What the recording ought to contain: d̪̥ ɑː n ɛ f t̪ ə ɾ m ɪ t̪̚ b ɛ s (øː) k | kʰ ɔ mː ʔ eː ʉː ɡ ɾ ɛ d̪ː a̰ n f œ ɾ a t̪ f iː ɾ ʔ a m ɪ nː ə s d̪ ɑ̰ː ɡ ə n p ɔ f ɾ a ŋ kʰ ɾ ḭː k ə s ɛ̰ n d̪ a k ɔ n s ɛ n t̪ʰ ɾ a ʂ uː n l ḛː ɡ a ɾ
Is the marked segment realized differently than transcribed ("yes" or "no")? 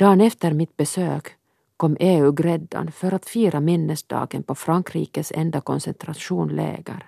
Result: no